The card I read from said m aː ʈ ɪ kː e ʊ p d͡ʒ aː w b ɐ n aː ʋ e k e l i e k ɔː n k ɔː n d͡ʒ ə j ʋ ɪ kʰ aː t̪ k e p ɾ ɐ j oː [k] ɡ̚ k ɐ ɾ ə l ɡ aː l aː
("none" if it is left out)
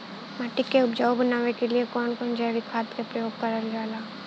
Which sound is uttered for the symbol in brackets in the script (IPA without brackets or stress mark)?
none